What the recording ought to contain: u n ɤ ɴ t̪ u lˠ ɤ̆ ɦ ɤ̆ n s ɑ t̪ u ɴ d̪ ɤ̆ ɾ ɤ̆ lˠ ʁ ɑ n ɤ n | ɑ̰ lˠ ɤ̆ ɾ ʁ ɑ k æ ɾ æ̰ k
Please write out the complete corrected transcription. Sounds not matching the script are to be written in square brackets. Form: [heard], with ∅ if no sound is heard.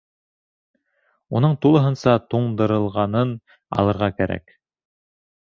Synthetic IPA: u n ɤ ɴ t̪ u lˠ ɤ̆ ɦ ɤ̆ n s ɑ t̪ u ɴ d̪ ɤ̆ ɾ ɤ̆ lˠ ʁ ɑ n ɤ n | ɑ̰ lˠ ɤ̆ ɾ ʁ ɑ k æ ɾ æ̰ k